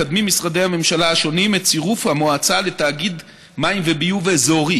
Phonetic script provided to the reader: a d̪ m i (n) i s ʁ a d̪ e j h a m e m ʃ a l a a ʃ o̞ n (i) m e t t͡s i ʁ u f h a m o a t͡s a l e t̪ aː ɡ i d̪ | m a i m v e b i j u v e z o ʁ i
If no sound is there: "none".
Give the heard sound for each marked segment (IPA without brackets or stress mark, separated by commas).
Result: m, i